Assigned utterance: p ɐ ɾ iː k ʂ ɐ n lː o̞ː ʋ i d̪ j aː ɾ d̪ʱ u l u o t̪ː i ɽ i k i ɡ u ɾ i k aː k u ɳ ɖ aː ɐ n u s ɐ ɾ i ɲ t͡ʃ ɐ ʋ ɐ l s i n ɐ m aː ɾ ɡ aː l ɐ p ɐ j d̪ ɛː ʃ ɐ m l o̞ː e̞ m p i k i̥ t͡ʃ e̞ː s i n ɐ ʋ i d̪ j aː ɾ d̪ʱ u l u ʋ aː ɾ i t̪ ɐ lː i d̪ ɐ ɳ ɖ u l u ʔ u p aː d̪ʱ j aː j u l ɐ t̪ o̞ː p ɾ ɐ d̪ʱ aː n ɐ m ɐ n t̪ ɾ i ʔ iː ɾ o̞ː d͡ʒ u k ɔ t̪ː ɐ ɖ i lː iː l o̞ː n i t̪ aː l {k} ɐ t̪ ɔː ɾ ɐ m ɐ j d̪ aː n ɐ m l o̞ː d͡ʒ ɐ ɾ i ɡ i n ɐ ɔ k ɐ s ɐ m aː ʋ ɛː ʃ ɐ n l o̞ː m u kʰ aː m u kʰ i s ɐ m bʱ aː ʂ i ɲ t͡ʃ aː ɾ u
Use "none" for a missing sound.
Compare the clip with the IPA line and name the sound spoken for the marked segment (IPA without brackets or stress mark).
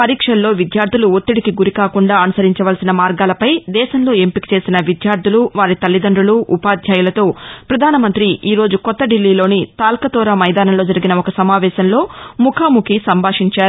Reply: k